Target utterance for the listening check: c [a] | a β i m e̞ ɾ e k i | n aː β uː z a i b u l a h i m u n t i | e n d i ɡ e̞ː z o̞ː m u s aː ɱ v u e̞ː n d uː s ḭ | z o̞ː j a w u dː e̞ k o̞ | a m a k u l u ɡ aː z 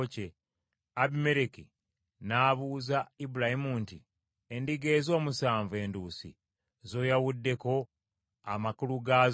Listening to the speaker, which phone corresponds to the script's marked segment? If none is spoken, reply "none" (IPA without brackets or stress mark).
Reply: e